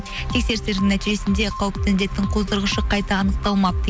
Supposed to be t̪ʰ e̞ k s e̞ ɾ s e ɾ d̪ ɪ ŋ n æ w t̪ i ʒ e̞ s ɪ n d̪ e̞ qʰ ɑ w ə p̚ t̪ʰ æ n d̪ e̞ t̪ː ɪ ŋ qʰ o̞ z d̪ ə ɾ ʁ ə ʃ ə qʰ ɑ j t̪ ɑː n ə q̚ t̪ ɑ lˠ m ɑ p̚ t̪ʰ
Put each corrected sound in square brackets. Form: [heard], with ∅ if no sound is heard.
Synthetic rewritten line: t̪ʰ e̞ k s e̞ ɾ s e ɾ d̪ ɪ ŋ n æ [∅] t̪ i ʒ e̞ s ɪ n d̪ e̞ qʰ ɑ w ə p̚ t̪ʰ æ n d̪ e̞ t̪ː ɪ ŋ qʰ o̞ z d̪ ə ɾ ʁ ə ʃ ə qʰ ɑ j t̪ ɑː n ə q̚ t̪ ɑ lˠ m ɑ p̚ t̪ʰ

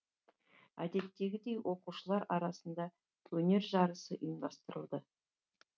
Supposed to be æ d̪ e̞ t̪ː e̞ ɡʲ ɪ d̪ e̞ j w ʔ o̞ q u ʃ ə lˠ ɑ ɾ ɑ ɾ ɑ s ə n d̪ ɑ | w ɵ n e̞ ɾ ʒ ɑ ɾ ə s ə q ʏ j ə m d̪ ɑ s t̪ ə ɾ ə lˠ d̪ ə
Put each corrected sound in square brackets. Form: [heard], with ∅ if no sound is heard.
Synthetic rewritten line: æ d̪ e̞ t̪ː e̞ ɡʲ ɪ d̪ e̞ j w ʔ o̞ q u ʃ ə lˠ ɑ ɾ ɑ ɾ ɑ s ə n d̪ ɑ | w ɵ n e̞ ɾ ʒ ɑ ɾ ə s ə [ʔ] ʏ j ə m d̪ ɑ s t̪ ə ɾ ə lˠ d̪ ə

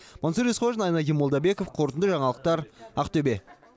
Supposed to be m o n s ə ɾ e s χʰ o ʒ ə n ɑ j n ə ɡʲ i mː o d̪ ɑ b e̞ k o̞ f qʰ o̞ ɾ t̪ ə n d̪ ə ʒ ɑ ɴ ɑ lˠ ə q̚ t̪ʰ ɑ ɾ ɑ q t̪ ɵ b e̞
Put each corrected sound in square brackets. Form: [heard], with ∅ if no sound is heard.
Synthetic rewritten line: m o n s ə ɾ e s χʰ o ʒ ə n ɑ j n [ɑ] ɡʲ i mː o d̪ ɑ b e̞ k o̞ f qʰ o̞ ɾ t̪ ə n d̪ ə ʒ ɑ ɴ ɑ lˠ ə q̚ [t̪] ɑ ɾ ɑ q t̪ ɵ b e̞

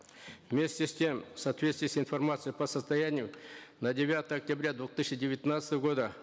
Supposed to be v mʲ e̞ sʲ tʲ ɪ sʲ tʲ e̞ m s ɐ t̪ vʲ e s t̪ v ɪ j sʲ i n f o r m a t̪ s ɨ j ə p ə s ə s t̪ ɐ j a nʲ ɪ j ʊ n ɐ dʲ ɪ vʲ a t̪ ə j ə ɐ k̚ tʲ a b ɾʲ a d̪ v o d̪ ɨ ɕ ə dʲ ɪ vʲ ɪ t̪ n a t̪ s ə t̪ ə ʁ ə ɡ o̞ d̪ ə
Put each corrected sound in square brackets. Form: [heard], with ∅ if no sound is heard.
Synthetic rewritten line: v mʲ e̞ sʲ tʲ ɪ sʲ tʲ e̞ m s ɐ t̪ vʲ e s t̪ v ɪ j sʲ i n f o r m a t̪ s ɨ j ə p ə s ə s t̪ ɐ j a nʲ ɪ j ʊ n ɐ dʲ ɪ vʲ a t̪ ə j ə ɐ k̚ tʲ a b ɾʲ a d̪ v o [t̪] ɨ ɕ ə dʲ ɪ vʲ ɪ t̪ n a t̪ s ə t̪ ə [v] ə ɡ o̞ d̪ ə

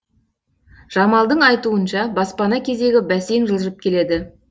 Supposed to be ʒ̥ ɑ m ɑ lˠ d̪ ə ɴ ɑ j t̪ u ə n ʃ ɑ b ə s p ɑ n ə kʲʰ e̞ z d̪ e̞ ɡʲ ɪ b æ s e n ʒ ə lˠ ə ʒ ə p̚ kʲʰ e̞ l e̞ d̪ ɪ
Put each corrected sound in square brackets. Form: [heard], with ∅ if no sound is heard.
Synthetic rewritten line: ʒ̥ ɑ m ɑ lˠ d̪ ə ɴ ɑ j t̪ u ə n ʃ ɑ b [ɑ] s p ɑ n [ɑ] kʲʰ e̞ z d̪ e̞ ɡʲ ɪ b æ s e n ʒ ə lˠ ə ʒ ə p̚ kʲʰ e̞ l e̞ d̪ ɪ

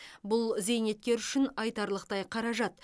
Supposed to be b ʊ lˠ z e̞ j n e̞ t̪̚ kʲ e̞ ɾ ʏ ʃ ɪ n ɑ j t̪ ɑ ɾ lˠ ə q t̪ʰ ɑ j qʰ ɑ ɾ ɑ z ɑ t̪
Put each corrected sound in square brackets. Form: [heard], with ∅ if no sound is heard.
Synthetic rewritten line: b ʊ lˠ z e̞ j n e̞ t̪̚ kʲ e̞ ɾ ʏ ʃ ɪ n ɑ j t̪ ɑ ɾ lˠ ə q [t̪] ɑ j qʰ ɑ ɾ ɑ [ʒ] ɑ t̪

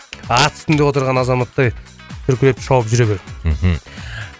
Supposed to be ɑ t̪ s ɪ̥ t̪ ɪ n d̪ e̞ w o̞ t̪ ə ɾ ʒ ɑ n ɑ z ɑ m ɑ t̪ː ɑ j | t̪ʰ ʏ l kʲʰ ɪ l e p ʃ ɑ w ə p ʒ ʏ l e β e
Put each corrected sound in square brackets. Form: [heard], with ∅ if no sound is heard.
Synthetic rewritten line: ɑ t̪ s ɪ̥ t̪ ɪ n d̪ e̞ w o̞ t̪ ə ɾ [ʁ] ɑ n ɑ z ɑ m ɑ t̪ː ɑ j | t̪ʰ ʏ [ɾ] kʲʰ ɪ l e p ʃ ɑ w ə p ʒ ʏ [ɾ] e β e

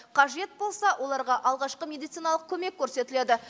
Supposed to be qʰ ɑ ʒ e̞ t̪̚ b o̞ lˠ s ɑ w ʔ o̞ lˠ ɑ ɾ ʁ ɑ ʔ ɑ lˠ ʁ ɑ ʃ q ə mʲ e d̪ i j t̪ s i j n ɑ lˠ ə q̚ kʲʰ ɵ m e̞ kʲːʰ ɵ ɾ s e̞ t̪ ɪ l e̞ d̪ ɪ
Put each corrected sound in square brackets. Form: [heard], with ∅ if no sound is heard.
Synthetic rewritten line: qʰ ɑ ʒ e̞ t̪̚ b o̞ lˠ s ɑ w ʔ o̞ lˠ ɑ ɾ ʁ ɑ ʔ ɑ lˠ ʁ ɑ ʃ q ə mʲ e d̪ i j t̪ s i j n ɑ lˠ ə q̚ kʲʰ ɵ m e̞ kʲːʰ ɵ ɾ s e̞ t̪ ɪ l e̞ d̪ ɪ

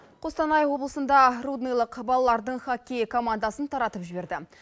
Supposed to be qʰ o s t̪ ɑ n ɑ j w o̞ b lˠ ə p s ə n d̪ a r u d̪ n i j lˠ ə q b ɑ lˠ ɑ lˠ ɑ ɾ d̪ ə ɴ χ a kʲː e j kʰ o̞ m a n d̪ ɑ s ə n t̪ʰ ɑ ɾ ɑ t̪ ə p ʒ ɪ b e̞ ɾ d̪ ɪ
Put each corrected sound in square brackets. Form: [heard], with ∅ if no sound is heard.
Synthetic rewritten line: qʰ o s t̪ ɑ n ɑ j w o̞ b lˠ ə [∅] s ə n d̪ [ɑ] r u d̪ n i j lˠ ə q b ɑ lˠ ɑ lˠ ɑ ɾ d̪ ə ɴ χ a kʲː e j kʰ o̞ m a n d̪ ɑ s ə n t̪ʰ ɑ ɾ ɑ t̪ ə p ʒ ɪ b e̞ ɾ d̪ ɪ

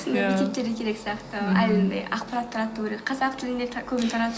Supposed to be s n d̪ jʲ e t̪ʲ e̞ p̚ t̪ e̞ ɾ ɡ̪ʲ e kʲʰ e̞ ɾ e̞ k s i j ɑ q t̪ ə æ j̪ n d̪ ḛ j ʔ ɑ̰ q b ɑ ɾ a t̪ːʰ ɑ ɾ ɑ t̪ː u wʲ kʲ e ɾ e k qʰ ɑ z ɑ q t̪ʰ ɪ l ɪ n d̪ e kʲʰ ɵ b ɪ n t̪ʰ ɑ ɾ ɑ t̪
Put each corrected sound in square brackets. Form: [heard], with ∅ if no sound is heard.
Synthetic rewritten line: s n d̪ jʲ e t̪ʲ e̞ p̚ t̪ e̞ ɾ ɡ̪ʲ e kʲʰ e̞ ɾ e̞ k s i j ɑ q t̪ ə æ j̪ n d̪ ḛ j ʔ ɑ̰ q [p] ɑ ɾ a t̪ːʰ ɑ ɾ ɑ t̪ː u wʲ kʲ e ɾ e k qʰ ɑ z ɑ q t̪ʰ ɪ l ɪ n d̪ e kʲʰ ɵ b ɪ n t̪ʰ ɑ ɾ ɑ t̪

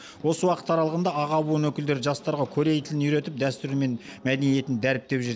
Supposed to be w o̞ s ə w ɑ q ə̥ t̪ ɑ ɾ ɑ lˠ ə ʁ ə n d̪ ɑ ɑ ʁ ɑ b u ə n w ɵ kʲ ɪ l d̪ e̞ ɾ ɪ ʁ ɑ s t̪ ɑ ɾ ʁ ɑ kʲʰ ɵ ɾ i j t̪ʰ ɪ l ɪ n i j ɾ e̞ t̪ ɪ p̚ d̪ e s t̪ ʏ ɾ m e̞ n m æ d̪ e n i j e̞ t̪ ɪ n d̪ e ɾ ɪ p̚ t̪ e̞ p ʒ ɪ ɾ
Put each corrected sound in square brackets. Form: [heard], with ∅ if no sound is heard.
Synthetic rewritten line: w o̞ s ə w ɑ q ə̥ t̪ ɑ ɾ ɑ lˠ ə ʁ ə n d̪ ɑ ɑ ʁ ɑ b u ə n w ɵ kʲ ɪ l d̪ e̞ ɾ ɪ [ʒ] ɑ s t̪ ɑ ɾ ʁ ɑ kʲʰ ɵ ɾ [e] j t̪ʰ ɪ l ɪ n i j ɾ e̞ t̪ ɪ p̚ d̪ [æ] s t̪ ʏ ɾ m e̞ n m æ d̪ e n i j e̞ t̪ ɪ n d̪ [æ] ɾ ɪ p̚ t̪ e̞ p ʒ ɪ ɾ

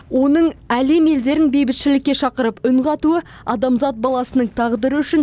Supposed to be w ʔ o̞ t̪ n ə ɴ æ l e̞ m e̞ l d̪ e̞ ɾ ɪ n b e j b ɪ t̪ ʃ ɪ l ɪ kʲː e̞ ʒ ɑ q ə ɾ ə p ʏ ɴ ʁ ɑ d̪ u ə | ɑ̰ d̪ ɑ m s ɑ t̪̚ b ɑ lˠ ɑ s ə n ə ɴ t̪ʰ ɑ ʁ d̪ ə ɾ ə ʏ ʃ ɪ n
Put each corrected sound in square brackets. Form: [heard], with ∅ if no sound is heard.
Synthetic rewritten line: w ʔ o̞ [∅] n ə ɴ æ l e̞ m e̞ l d̪ e̞ ɾ ɪ n b e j b ɪ t̪ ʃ ɪ l ɪ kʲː e̞ [ʃ] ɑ q ə ɾ ə p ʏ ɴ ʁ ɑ [t̪] u ə | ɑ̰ d̪ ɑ m [z] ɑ t̪̚ b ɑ lˠ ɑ s ə n ə ɴ t̪ʰ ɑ ʁ d̪ ə ɾ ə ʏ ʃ ɪ n

